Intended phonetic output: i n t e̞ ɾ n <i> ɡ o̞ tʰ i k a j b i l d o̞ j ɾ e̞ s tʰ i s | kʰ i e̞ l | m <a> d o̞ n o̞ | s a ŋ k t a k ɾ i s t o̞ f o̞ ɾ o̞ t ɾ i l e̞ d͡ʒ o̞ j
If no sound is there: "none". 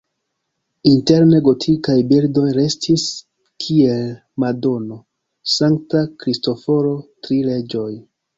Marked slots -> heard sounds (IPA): e, a

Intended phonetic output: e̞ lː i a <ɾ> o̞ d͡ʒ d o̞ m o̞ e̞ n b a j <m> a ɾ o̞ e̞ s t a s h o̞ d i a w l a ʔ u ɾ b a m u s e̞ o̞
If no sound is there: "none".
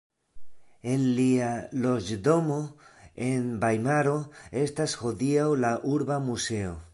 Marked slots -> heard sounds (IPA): l, m

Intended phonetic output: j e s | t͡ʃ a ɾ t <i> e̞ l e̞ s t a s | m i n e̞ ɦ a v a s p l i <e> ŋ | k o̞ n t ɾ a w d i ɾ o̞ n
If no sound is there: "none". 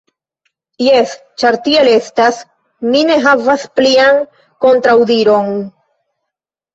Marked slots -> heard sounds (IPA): i, a

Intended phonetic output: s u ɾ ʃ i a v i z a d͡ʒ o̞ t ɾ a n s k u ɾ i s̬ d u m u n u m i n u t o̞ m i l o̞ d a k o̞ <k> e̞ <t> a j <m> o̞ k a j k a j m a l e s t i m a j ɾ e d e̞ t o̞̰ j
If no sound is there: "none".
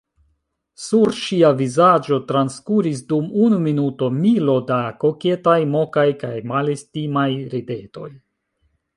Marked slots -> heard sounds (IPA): k, t, m

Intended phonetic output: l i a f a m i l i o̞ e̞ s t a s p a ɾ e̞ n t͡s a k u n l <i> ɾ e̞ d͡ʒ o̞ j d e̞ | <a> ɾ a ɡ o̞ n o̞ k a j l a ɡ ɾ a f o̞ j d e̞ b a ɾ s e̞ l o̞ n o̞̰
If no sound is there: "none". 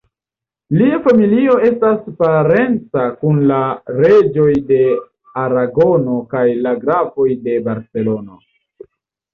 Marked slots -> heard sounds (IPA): a, a

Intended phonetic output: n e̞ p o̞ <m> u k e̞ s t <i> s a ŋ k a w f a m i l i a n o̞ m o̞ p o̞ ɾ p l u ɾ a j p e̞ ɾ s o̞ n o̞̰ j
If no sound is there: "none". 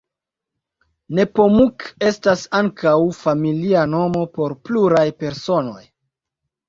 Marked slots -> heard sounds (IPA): m, a

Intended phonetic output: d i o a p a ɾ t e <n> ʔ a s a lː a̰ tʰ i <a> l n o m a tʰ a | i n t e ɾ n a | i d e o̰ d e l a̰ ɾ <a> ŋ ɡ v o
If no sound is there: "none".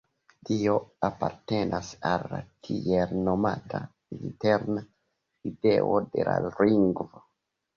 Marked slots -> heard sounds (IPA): n, e, i

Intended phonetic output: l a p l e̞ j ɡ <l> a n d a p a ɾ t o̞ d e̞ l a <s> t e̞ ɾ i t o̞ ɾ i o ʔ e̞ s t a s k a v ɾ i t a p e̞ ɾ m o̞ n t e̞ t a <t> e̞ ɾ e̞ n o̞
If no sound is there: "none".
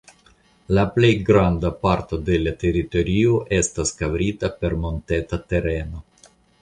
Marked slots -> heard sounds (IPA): ɾ, none, t

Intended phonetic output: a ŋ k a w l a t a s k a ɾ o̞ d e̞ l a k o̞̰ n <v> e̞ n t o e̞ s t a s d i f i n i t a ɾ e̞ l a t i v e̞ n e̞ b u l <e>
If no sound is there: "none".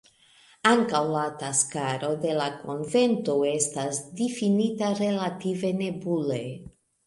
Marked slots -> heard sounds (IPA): v, e

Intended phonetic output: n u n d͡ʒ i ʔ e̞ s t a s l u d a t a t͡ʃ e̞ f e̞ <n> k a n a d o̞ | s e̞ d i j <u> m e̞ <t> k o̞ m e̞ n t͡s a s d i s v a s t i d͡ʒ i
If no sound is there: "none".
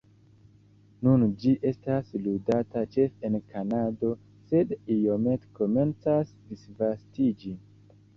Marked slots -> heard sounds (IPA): n, o, t

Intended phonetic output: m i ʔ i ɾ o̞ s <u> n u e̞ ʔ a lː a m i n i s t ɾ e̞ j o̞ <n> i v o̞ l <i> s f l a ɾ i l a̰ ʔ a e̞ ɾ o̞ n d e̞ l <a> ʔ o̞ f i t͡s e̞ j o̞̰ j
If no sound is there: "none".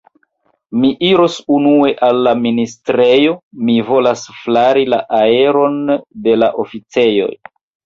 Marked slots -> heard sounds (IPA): u, m, a, a

